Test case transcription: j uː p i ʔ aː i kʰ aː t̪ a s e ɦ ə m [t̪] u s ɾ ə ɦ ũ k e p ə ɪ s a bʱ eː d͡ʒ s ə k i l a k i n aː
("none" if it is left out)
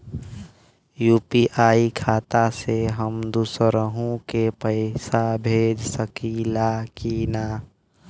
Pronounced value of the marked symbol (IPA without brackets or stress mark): d̪